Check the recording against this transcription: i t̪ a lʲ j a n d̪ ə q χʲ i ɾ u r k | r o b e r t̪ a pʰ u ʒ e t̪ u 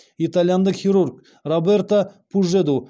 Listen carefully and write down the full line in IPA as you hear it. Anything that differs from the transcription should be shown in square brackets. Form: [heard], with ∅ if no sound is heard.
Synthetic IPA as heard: i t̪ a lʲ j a n d̪ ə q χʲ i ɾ u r k | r o b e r t̪ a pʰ u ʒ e [d̪] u